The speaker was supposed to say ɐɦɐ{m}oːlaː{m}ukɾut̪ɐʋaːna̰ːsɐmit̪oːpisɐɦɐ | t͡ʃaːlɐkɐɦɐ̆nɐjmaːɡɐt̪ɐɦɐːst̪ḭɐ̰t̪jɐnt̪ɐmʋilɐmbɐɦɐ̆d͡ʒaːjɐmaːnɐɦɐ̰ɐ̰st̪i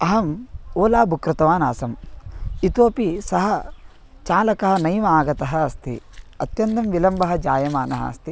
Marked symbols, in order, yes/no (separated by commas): yes, no